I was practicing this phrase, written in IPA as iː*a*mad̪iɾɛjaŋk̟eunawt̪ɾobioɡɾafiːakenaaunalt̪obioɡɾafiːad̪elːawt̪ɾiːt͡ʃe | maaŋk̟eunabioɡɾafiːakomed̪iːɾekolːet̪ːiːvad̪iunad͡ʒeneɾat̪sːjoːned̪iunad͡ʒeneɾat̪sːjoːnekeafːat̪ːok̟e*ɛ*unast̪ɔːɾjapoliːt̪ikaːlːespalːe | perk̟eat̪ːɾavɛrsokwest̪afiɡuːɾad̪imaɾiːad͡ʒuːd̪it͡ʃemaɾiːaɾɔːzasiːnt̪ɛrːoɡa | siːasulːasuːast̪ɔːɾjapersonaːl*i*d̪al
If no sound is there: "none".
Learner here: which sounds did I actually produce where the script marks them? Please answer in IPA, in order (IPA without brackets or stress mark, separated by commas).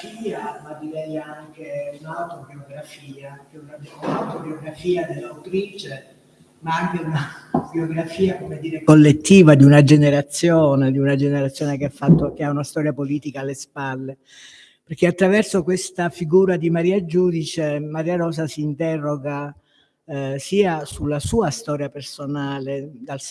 a, a, e